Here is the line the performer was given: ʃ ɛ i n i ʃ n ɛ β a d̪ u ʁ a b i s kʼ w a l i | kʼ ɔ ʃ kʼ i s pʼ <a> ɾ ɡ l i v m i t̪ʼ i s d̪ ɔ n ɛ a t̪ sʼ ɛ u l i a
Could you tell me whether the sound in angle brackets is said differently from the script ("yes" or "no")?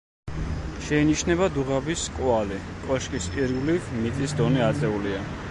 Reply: yes